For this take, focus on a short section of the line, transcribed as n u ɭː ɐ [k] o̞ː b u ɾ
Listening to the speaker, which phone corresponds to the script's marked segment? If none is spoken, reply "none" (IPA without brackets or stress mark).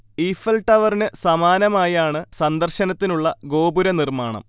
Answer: ɡ